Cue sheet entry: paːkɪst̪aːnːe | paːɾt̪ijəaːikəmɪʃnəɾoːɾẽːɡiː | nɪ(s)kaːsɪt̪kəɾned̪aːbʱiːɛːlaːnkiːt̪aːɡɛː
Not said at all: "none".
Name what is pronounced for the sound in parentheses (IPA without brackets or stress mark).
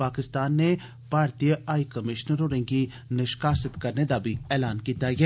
ʃ